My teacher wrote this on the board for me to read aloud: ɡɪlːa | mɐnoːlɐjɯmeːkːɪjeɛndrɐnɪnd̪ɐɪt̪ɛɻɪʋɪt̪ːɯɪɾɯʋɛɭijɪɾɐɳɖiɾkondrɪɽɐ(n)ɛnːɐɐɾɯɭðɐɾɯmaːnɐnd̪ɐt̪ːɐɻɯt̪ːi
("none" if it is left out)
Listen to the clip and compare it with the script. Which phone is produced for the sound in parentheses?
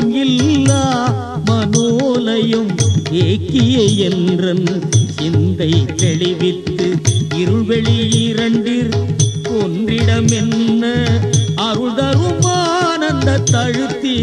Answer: m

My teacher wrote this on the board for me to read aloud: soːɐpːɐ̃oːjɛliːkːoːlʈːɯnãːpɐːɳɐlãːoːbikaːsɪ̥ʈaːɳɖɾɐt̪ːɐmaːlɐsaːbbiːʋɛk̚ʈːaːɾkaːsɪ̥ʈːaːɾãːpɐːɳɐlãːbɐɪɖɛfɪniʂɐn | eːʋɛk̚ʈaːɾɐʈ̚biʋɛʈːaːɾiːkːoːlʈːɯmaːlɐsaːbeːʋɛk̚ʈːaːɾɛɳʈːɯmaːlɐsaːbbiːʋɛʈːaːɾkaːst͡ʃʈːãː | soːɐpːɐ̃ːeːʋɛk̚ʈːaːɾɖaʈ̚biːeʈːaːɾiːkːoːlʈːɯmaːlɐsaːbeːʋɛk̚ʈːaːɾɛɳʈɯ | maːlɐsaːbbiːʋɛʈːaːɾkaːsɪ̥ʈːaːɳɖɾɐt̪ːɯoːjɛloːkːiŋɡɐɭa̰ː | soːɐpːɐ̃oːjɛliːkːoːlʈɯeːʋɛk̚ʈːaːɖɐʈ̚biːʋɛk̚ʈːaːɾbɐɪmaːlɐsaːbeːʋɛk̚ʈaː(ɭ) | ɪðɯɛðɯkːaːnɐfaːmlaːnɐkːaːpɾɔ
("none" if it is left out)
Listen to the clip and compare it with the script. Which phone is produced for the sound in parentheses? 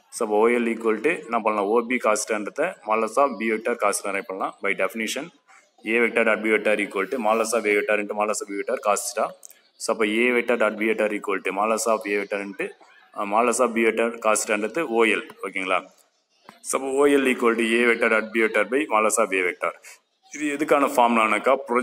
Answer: ɾ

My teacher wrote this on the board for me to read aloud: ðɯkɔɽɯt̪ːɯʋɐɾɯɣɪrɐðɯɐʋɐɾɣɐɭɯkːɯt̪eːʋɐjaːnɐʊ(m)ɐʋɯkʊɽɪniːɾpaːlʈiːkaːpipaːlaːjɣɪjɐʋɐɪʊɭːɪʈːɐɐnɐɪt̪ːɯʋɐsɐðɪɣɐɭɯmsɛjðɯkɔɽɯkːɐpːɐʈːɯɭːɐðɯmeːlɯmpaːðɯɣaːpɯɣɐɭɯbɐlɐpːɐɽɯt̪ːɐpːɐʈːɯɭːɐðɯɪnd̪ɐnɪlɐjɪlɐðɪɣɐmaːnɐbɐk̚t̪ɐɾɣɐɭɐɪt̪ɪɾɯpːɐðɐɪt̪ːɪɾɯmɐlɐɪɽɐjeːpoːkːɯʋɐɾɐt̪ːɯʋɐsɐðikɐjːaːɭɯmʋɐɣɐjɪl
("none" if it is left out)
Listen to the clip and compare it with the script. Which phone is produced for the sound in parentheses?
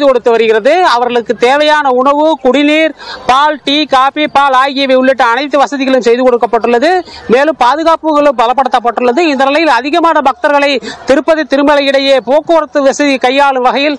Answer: ɳ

